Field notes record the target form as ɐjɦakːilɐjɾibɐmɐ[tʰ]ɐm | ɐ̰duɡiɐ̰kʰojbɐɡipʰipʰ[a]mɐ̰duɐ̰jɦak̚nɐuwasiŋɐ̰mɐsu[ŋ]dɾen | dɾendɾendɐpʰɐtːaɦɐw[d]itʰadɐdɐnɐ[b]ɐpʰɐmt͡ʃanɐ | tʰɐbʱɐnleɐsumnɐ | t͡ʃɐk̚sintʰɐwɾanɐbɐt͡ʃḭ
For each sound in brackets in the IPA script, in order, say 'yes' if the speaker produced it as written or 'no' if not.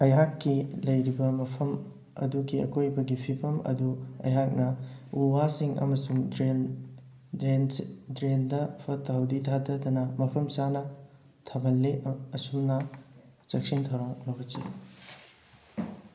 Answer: no, no, yes, yes, no

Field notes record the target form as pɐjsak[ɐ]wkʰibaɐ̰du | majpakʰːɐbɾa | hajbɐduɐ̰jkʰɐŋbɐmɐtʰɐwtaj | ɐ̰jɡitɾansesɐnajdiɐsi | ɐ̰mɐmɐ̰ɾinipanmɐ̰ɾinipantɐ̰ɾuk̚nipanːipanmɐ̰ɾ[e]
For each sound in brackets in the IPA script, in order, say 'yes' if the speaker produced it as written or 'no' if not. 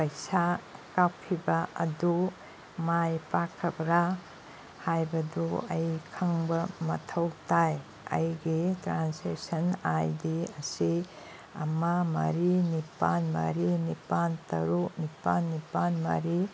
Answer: no, no

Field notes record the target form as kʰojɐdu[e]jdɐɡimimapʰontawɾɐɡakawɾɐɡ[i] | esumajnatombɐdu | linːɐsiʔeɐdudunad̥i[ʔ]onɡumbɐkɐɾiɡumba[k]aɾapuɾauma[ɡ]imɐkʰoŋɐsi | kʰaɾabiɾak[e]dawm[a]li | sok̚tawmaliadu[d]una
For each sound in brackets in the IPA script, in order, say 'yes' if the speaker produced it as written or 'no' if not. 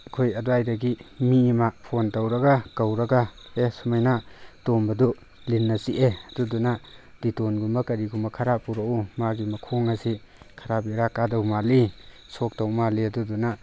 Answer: no, no, no, no, yes, no, yes, yes

